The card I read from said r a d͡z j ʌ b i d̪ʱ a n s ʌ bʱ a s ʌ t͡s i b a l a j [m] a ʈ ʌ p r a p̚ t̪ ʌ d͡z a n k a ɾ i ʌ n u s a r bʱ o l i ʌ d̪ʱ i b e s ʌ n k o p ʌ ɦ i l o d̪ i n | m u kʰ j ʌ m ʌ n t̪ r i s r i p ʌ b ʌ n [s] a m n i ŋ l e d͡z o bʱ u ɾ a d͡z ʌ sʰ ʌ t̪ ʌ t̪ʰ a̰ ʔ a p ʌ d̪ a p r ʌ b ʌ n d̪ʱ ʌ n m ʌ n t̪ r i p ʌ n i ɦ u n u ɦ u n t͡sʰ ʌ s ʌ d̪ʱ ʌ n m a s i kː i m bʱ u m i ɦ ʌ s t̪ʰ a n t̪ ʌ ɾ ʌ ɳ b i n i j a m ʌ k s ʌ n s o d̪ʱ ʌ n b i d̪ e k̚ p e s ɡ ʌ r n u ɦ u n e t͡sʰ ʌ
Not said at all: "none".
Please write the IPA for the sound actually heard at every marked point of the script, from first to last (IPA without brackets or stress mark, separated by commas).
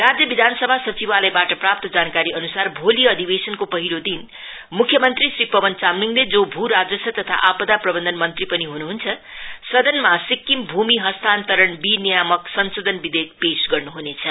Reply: b, t͡s